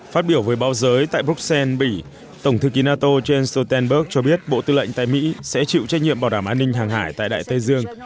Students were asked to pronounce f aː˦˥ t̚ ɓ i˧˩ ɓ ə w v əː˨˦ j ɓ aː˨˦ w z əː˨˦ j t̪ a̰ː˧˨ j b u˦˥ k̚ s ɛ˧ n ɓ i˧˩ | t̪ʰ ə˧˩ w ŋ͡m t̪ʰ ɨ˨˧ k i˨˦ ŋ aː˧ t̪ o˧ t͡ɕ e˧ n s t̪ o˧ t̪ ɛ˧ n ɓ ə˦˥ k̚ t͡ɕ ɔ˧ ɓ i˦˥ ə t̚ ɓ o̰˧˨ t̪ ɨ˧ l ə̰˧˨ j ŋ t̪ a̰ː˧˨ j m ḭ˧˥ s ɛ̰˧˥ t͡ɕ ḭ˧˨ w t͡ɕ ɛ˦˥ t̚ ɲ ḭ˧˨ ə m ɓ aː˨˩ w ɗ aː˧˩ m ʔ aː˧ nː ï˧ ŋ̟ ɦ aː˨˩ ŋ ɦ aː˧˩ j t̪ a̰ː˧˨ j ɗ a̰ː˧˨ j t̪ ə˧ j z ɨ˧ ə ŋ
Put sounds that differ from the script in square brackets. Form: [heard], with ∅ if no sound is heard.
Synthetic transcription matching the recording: f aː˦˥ t̚ ɓ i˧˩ [∅] ə w v əː˨˦ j ɓ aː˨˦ w z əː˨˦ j t̪ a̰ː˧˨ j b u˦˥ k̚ s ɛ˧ n ɓ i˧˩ | [t̪] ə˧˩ w ŋ͡m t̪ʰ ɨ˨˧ k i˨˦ [n] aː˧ t̪ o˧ t͡ɕ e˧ n s t̪ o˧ t̪ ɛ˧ n ɓ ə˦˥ k̚ t͡ɕ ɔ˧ ɓ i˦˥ ə t̚ ɓ o̰˧˨ t̪ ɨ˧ l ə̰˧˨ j ŋ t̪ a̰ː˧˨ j m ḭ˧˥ s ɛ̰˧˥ t͡ɕ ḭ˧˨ w t͡ɕ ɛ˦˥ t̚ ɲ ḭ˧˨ ə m ɓ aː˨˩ w ɗ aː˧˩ m ʔ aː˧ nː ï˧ ŋ̟ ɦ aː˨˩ ŋ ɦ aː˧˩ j t̪ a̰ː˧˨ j ɗ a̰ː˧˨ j t̪ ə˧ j z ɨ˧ ə ŋ